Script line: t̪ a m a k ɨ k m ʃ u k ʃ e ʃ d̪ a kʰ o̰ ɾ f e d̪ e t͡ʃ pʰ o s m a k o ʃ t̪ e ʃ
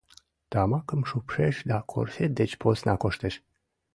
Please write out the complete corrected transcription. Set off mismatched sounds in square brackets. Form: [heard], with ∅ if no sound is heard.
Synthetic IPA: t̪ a m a k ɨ [∅] m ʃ u [p] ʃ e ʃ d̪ a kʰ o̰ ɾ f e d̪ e t͡ʃ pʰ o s [n] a k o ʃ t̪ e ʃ